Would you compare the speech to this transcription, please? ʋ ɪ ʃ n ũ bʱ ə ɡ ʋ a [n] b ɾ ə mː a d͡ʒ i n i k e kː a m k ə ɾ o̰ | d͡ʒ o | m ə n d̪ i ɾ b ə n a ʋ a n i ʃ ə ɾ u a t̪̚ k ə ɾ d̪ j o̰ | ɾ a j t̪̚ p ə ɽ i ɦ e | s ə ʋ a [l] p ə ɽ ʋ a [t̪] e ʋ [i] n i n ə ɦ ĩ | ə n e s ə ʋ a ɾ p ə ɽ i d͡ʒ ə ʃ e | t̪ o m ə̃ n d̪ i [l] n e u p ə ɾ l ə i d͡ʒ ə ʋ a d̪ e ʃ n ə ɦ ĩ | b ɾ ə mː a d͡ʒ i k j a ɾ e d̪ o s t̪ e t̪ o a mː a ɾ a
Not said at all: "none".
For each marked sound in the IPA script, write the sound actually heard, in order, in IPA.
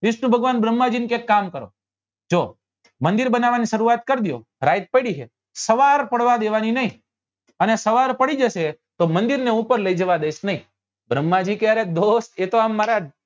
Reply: n, ɾ, d̪, a, ɾ

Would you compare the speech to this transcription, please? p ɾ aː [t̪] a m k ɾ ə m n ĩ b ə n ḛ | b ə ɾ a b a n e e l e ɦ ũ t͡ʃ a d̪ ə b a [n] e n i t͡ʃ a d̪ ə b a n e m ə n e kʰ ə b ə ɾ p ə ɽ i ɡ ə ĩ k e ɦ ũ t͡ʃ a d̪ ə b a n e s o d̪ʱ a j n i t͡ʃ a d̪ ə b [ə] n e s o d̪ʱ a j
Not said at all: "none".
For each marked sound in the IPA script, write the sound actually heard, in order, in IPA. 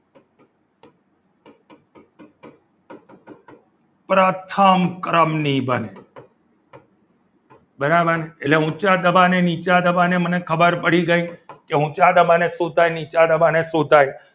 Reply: t̪ʰ, n, a

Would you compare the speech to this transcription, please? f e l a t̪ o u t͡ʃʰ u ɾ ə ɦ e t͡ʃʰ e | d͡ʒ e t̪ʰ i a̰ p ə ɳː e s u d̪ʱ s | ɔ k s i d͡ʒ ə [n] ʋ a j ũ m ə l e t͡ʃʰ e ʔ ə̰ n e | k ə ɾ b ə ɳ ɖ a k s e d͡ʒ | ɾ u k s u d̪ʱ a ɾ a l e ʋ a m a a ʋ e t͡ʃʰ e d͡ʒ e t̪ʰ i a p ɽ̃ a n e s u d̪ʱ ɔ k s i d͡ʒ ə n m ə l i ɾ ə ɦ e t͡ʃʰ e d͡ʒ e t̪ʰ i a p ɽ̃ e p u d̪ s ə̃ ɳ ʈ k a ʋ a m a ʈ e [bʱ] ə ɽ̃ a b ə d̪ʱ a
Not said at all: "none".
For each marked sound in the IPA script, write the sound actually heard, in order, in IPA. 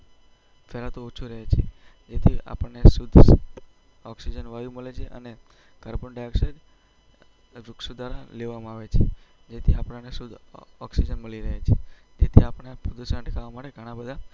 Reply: n, ɡʱ

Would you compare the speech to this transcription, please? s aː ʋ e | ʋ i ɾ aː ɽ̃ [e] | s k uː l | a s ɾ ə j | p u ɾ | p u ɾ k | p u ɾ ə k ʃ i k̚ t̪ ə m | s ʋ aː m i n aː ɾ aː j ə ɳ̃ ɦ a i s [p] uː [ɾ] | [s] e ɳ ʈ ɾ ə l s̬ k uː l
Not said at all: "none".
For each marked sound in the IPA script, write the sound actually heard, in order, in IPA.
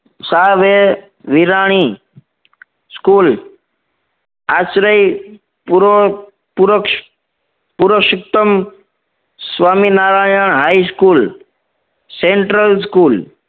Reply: i, k, l, s

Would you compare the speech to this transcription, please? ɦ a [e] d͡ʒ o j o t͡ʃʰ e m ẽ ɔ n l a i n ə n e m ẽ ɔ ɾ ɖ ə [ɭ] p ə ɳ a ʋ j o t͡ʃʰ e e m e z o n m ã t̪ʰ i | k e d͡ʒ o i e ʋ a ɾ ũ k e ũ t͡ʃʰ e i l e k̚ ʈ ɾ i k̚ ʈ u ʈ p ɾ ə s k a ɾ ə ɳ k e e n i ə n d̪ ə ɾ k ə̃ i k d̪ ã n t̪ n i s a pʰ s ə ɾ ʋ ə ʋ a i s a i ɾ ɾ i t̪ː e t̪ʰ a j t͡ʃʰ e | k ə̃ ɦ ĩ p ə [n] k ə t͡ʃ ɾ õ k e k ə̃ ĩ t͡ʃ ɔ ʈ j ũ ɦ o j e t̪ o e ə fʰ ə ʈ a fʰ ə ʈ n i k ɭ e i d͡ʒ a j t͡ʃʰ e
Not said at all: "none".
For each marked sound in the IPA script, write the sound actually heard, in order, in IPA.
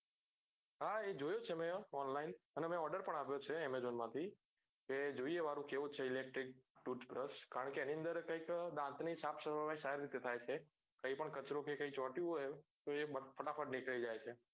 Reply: e, ɾ, ɳ

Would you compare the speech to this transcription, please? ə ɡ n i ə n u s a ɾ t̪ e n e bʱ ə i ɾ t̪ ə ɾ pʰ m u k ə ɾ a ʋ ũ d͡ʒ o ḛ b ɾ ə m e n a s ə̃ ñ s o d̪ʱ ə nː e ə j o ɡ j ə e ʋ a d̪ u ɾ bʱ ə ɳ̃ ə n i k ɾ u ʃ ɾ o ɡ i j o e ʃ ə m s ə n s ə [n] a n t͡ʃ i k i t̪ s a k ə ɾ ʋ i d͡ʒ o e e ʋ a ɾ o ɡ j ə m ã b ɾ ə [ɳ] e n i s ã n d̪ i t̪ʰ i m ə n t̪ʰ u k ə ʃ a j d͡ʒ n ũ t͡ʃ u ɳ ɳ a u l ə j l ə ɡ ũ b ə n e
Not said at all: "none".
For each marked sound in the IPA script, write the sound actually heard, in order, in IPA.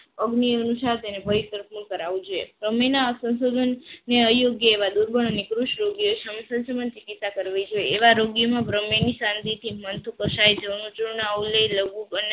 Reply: m, m

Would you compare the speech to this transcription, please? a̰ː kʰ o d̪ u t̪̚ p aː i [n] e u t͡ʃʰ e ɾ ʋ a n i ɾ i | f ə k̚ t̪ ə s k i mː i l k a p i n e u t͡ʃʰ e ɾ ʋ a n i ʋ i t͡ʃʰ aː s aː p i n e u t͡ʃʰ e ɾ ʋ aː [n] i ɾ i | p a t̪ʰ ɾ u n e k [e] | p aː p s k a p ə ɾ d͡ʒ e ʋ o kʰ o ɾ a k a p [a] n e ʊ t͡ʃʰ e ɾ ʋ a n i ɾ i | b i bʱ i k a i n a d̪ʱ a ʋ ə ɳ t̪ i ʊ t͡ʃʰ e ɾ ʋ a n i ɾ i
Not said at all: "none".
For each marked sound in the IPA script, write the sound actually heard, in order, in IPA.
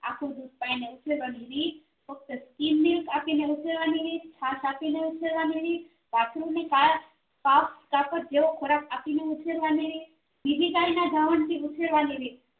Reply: n, n, a, i

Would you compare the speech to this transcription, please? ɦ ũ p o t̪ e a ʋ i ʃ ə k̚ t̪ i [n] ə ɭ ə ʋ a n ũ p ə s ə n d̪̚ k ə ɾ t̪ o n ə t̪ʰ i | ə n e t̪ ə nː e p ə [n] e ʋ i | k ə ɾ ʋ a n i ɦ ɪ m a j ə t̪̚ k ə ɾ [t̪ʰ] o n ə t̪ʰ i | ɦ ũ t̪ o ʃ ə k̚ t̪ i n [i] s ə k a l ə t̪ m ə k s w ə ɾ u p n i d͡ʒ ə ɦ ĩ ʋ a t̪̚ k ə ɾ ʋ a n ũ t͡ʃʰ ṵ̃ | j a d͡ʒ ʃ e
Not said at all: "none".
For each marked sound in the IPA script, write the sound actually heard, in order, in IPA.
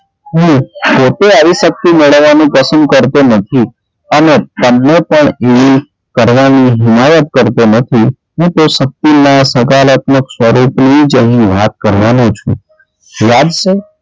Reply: m, ɳ, t̪, a

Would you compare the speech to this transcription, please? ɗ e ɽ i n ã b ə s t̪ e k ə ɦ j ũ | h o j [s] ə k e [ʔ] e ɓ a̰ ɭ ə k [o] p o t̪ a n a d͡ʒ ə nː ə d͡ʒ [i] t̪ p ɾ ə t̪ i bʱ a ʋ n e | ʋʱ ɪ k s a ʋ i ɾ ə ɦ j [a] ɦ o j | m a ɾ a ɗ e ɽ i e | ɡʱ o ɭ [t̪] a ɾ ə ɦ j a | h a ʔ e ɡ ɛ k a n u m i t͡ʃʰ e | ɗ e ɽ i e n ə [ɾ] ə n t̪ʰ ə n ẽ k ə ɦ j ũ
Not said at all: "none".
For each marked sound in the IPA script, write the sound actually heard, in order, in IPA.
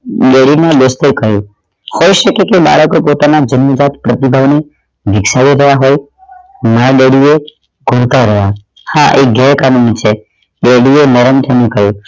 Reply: ʃ, k, o, a, a, t̪, ɾ

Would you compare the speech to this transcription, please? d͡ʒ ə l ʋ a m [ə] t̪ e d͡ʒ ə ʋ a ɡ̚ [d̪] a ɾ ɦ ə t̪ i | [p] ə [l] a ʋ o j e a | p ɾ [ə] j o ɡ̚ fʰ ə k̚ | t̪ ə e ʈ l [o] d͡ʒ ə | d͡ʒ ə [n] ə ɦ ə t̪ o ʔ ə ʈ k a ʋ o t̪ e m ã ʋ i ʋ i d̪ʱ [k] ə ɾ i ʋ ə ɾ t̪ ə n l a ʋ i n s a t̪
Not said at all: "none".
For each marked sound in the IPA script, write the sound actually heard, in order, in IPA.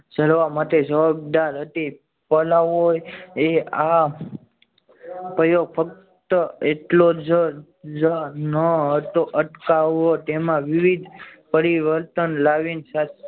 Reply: a, d̪, p, l, ə, o, n, p

